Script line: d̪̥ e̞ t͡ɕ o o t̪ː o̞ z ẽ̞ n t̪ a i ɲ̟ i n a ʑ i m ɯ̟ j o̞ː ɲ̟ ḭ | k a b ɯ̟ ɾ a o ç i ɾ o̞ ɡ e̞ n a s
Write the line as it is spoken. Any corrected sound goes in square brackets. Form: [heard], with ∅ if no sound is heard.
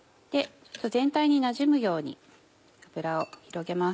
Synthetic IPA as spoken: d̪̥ e̞ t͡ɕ o o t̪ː o̞ z ẽ̞ n t̪ a i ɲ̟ i n a ʑ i m ɯ̟ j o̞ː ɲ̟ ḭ | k a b ɯ̟ ɾ a o ç i ɾ o̞ ɡ e̞ [m] a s